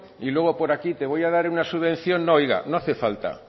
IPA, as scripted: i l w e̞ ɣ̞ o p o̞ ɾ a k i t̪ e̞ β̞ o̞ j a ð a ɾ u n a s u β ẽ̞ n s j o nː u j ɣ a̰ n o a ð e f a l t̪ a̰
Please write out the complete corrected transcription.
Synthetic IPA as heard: i l w e̞ ɣ̞ o p o̞ ɾ a k i t̪ e̞ β̞ o̞ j a ð a ɾ u n a s u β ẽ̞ n θ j o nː o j ɣ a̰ n o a θ e f a l t̪ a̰